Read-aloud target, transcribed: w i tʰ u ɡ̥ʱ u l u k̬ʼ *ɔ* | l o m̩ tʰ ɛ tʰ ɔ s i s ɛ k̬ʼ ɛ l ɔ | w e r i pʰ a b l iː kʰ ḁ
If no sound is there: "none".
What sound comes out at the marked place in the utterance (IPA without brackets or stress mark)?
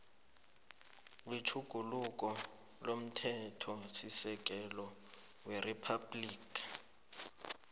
ɔ